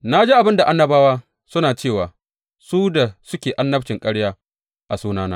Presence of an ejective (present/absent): present